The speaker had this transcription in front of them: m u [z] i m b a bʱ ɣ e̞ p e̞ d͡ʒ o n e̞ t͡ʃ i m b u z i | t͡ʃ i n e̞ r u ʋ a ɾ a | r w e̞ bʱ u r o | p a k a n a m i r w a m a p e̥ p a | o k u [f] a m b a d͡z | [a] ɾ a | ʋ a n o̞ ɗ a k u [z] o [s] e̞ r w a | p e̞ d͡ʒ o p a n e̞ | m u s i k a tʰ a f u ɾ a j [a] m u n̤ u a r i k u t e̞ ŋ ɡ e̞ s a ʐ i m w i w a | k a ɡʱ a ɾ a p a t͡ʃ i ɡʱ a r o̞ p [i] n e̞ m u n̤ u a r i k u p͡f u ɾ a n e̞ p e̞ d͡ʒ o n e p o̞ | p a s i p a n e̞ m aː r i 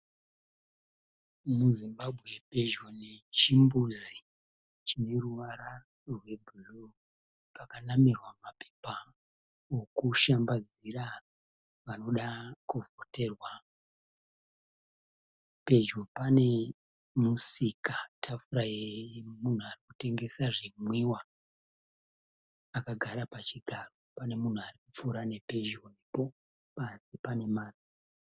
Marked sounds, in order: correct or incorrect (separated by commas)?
correct, incorrect, incorrect, incorrect, incorrect, incorrect, incorrect